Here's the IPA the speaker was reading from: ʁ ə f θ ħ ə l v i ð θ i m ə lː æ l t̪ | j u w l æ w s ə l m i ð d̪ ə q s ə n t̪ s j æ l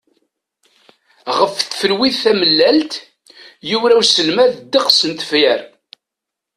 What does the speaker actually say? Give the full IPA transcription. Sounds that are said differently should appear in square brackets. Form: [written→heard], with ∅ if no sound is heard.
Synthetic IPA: ʁ ə f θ [ħ→f] ə l [v→w] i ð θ [i→æ] m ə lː æ l t̪ | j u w [l→ɾ] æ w s ə l m [i→æ] ð d̪ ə q s ə n t̪ [s→f] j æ [l→ɾ]